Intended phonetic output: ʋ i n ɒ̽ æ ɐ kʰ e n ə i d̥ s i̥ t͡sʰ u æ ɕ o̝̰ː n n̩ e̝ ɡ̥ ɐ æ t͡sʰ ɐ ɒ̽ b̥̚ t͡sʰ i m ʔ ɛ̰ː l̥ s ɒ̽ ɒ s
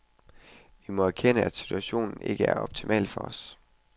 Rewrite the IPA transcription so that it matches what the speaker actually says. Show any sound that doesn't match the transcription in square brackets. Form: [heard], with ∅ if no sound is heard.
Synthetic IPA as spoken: ʋ i [m] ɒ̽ æ ɐ kʰ e n ə [æ] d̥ s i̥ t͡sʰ u æ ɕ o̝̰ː n n̩ e̝ ɡ̥ [ə] æ [∅] ɐ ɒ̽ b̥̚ t͡sʰ i m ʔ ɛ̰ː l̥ [f] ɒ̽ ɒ s